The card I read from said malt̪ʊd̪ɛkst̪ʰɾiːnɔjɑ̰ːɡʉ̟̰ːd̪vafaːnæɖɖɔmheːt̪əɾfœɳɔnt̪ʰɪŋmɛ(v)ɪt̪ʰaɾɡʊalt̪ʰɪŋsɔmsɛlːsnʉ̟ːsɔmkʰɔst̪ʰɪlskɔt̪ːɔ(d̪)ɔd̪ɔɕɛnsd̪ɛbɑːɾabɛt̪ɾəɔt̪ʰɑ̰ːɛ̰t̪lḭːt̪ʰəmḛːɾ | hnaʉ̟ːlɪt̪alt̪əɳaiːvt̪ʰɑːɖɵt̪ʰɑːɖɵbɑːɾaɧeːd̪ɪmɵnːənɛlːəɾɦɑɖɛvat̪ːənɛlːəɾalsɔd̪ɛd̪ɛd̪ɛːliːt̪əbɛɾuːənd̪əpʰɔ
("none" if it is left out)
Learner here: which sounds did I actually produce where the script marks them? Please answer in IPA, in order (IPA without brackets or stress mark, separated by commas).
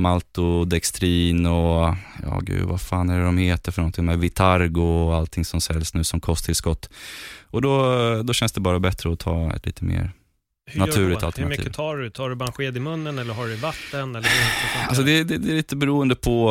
v, d̪